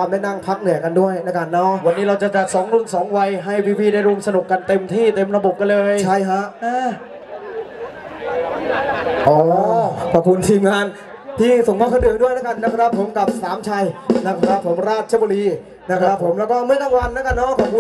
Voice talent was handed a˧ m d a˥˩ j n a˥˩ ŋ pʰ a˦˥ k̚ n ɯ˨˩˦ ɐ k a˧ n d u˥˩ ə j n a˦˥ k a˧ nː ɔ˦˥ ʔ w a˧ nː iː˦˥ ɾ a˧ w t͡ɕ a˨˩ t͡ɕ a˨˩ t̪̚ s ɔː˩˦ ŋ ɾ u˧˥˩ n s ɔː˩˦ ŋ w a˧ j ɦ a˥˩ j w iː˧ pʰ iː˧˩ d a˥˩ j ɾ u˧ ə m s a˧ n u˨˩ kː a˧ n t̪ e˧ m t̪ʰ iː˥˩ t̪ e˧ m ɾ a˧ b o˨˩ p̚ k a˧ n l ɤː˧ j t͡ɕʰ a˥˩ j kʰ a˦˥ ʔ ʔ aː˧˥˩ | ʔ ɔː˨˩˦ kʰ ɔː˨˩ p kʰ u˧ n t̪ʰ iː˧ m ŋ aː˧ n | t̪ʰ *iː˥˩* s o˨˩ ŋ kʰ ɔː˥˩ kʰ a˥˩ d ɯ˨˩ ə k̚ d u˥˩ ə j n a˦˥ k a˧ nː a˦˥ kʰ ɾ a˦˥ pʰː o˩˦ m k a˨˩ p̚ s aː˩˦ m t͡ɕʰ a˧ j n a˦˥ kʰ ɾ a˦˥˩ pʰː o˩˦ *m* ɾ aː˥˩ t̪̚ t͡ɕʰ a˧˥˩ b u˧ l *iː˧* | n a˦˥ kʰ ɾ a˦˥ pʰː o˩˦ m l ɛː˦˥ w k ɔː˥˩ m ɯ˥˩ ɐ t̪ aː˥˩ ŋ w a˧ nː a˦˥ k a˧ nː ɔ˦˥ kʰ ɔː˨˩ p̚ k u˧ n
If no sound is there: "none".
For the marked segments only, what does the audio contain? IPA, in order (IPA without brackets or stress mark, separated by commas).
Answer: iː˥˩, m, iː˧